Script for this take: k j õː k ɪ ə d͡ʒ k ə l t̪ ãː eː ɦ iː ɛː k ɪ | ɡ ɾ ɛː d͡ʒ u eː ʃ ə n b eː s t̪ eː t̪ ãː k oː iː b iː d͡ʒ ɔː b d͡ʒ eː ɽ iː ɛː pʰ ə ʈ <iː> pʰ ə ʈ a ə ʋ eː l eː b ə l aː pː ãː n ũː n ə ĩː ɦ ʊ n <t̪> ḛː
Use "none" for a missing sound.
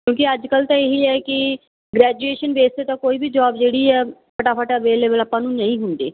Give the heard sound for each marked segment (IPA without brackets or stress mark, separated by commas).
aː, d̪